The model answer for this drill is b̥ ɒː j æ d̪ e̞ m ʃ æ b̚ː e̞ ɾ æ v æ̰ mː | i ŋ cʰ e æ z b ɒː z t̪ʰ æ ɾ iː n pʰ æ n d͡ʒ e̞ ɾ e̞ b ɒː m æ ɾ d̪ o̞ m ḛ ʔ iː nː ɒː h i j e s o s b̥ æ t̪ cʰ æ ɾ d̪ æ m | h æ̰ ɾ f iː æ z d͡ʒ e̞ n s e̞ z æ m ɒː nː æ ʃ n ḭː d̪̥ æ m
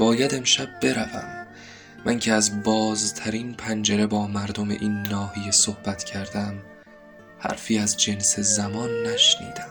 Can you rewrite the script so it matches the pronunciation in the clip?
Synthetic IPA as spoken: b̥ ɒː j æ d̪ e̞ m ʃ æ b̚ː e̞ ɾ æ v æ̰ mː | æ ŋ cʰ e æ z b ɒː z t̪ʰ æ ɾ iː n pʰ æ n d͡ʒ e̞ ɾ e̞ b ɒː m æ ɾ d̪ o̞ m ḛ ʔ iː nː ɒː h i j e s o h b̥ æ t̪ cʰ æ ɾ d̪ æ m | h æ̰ ɾ f iː æ z d͡ʒ e̞ n s e̞ z æ m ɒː nː æ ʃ n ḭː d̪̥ æ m